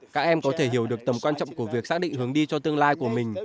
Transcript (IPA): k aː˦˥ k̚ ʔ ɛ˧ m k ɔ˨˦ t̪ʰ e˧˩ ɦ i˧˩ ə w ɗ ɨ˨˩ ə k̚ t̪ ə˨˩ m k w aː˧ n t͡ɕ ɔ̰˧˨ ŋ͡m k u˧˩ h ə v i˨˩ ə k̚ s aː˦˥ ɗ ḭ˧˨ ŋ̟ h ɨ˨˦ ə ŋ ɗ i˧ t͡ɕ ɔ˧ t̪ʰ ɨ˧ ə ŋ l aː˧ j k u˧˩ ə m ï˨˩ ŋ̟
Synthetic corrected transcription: k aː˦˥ k̚ ʔ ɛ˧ m k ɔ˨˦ t̪ʰ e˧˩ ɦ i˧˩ ə w ɗ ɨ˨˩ ə k̚ t̪ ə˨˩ m k w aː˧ n t͡ɕ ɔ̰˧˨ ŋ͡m k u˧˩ ə v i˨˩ ə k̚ s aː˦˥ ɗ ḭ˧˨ ŋ̟ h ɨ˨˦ ə ŋ ɗ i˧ t͡ɕ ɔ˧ t̪ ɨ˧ ə ŋ l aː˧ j k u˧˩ ə m ï˨˩ ŋ̟